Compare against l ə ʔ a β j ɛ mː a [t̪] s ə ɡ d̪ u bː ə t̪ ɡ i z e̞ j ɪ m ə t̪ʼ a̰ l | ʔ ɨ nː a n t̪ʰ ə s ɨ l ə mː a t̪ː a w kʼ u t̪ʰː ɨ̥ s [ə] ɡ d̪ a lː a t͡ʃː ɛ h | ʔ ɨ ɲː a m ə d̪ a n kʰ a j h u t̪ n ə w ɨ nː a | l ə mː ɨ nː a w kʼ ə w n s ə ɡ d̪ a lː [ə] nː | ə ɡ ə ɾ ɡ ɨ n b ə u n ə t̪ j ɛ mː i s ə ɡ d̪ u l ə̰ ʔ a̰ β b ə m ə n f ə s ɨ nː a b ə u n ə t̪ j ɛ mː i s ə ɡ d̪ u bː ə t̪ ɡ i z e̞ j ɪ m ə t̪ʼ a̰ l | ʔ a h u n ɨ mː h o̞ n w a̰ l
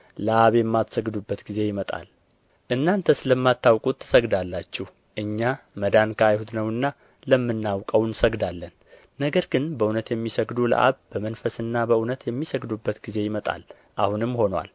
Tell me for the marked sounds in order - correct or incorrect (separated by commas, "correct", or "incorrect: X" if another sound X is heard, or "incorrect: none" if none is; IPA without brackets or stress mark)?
correct, correct, correct